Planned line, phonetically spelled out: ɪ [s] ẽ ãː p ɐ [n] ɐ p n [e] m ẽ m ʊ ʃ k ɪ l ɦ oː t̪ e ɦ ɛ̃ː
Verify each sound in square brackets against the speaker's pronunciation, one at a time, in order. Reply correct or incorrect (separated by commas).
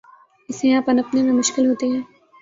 correct, correct, correct